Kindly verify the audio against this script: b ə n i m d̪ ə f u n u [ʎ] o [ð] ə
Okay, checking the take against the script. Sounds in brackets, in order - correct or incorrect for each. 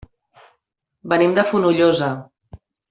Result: correct, incorrect: z

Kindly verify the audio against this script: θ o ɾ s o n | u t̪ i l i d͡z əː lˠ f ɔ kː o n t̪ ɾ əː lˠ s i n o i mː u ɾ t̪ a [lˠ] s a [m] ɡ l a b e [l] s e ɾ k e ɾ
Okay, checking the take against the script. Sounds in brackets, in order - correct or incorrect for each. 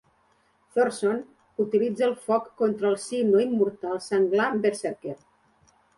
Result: correct, incorrect: ŋ, incorrect: ɾ

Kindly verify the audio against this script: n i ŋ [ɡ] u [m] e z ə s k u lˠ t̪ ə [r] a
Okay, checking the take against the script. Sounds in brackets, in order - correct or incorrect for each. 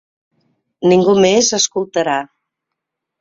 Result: correct, correct, incorrect: ɾ

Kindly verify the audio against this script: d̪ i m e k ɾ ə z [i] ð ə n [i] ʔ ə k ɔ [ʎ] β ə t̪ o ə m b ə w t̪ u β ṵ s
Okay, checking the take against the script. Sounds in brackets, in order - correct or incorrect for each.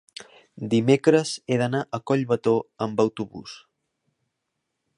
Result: incorrect: e, incorrect: a, correct

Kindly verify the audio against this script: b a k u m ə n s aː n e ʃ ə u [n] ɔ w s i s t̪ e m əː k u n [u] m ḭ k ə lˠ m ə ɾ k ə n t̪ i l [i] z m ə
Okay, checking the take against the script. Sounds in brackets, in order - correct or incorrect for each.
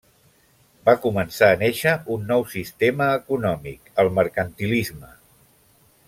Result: incorrect: nː, incorrect: ɔ, correct

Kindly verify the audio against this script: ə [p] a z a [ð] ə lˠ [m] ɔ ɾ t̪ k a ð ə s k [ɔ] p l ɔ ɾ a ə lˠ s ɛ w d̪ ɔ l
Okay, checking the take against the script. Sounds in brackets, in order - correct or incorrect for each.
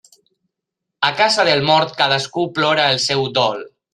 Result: incorrect: k, correct, correct, incorrect: u

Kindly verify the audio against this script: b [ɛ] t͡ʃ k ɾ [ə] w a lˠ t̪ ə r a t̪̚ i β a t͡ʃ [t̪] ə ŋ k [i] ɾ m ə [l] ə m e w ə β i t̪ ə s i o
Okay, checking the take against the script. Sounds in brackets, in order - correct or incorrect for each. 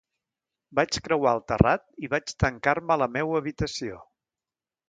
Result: incorrect: a, correct, correct, incorrect: a, correct

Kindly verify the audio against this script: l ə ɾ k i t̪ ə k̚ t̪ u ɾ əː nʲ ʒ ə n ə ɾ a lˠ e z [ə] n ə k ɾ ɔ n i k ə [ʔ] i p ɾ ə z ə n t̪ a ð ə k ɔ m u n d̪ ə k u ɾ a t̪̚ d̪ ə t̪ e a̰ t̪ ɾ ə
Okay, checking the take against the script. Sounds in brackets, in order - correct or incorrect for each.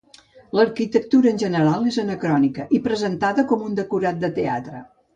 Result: correct, correct

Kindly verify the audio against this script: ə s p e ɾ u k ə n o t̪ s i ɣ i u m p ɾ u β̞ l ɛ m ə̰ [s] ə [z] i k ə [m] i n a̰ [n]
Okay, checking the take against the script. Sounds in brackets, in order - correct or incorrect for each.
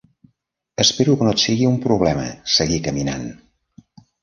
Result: correct, incorrect: ɣ, correct, correct

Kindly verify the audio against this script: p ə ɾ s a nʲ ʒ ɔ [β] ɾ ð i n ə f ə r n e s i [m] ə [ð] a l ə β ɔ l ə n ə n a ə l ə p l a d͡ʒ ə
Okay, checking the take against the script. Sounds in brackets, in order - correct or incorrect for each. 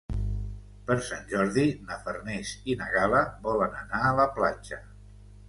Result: incorrect: none, incorrect: n, incorrect: ɣ

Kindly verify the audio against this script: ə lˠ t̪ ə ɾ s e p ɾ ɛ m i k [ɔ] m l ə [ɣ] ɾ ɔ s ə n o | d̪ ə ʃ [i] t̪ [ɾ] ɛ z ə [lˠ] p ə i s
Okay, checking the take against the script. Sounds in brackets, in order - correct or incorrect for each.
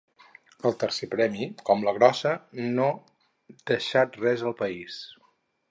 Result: correct, correct, incorrect: a, incorrect: r, correct

